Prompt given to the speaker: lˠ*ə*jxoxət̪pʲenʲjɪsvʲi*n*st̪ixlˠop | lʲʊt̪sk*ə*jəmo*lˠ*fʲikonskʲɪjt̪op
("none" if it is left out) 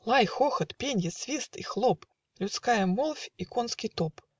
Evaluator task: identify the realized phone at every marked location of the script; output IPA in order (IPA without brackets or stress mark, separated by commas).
a, none, a, lˠ